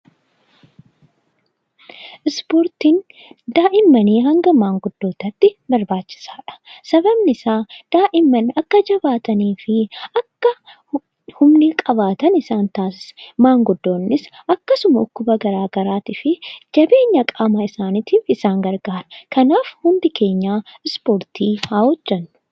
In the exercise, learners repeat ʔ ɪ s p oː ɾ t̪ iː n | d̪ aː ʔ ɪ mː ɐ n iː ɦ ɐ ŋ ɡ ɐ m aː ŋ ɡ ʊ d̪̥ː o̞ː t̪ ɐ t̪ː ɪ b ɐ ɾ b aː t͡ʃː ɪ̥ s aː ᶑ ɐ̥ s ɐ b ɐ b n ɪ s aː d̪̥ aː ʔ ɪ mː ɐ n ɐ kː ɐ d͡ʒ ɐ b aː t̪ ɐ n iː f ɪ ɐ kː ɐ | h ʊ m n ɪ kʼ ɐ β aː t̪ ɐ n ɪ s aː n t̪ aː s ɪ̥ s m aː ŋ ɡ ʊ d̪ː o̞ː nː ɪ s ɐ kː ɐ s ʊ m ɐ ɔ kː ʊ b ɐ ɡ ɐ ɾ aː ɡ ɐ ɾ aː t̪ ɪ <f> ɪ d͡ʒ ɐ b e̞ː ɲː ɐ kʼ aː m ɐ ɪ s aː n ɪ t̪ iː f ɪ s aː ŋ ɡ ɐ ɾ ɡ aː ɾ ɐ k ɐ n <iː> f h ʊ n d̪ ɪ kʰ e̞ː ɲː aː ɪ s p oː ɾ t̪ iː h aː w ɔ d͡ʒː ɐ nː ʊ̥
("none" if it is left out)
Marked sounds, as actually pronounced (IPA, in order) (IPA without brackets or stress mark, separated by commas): f, aː